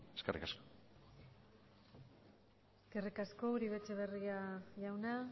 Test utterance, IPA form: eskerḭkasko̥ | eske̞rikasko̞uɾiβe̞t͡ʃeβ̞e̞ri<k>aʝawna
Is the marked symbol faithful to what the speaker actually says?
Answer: no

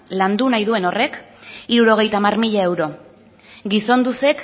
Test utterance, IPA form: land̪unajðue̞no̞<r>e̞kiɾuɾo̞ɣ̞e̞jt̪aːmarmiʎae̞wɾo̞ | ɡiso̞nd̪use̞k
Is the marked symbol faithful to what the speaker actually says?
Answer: yes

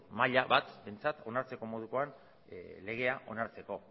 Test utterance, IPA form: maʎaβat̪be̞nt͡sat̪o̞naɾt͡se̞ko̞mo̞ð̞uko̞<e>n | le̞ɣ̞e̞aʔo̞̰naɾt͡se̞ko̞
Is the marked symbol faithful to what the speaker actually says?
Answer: no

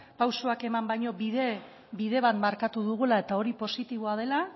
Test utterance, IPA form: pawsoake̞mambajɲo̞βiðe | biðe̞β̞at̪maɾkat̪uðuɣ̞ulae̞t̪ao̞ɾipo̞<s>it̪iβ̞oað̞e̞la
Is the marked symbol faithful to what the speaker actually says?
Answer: yes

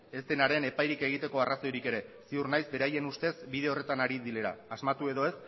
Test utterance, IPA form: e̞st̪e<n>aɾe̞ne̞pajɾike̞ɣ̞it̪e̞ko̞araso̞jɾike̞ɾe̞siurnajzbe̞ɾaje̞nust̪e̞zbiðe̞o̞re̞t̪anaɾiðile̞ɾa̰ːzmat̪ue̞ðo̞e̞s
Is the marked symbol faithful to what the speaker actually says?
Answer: yes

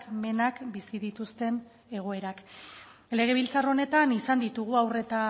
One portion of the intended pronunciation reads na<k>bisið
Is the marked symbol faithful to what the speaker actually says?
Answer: yes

